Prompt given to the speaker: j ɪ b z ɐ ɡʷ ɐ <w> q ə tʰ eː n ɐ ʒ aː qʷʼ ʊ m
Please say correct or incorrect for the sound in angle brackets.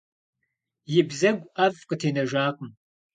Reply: incorrect